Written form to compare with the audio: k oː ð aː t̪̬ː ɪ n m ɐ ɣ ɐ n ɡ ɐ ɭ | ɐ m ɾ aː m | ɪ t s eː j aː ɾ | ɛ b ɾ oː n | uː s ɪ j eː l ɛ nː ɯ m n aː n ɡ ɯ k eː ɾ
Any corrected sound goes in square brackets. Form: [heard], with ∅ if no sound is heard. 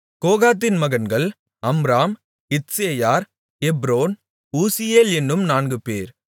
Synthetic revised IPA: k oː [ɣ] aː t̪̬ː ɪ n m ɐ ɣ ɐ n ɡ ɐ ɭ | ɐ m ɾ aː m | ɪ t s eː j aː ɾ | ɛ b ɾ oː n | uː s ɪ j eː l ɛ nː ɯ m n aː n ɡ ɯ [p] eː ɾ